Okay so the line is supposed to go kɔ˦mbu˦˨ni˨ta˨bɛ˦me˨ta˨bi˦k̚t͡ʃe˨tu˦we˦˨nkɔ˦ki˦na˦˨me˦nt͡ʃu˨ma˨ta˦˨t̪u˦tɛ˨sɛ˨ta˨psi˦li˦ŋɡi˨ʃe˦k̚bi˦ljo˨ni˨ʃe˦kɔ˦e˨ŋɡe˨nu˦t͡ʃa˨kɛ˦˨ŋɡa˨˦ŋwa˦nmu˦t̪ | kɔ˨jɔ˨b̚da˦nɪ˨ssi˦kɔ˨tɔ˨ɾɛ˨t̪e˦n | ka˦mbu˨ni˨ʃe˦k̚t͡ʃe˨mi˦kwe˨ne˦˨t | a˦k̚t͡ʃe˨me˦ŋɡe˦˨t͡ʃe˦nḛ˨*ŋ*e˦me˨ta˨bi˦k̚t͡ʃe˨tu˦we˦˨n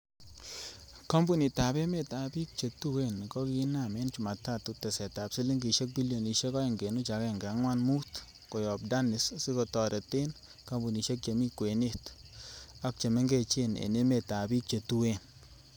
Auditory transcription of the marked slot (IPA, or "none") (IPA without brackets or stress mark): n